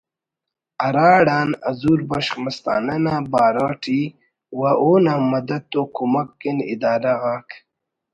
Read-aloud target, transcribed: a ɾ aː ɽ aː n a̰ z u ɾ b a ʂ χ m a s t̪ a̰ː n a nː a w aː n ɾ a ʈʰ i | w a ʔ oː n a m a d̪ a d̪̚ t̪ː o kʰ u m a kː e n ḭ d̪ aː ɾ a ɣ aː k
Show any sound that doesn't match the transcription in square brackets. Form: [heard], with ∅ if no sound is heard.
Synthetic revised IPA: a ɾ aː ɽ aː n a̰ z u ɾ b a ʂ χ m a s t̪ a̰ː n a [n] a [b] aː [∅] ɾ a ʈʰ i | w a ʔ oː n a m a d̪ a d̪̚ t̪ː o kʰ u m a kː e n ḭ d̪ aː ɾ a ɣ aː k